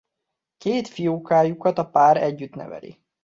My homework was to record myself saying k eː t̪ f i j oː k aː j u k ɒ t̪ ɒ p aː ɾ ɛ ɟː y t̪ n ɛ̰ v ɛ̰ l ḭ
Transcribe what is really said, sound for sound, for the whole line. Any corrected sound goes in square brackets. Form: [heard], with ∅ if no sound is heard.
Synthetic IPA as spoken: k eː t̪ f i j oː k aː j u k ɒ t̪ ɒ p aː ɾ ɛ ɟː y t̪ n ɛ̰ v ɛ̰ l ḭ